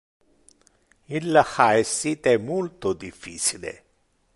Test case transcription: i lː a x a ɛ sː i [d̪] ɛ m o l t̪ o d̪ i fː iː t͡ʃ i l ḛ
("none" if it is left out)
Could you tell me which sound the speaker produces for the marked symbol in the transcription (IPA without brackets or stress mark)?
t̪